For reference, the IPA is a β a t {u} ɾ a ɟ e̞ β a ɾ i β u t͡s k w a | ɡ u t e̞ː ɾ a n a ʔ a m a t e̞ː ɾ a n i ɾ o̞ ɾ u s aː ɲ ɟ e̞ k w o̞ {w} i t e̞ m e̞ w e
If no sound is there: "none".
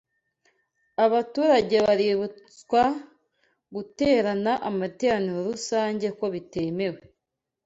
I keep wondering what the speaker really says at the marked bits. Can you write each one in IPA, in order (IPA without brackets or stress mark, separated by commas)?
uː, β